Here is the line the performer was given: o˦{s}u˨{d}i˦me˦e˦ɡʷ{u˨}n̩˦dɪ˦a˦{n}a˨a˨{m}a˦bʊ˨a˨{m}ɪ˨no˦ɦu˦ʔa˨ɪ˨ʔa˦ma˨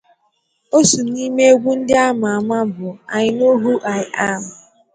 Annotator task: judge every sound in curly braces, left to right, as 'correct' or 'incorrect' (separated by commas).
correct, incorrect, incorrect, incorrect, correct, incorrect